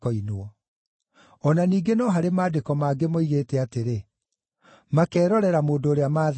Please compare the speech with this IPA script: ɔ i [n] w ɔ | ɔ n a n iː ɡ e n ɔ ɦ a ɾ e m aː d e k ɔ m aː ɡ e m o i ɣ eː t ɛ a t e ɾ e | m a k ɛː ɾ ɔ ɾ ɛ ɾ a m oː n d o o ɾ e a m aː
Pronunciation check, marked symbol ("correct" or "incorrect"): correct